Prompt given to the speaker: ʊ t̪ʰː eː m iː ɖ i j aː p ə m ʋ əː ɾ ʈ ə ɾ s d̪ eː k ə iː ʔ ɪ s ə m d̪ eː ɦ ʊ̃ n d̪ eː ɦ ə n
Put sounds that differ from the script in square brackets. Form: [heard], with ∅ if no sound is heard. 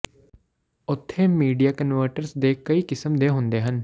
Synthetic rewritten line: ʊ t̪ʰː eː m iː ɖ i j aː [k] ə [n] ʋ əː ɾ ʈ ə ɾ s d̪ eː k ə iː [k] ɪ s ə m d̪ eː ɦ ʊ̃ n d̪ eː ɦ ə n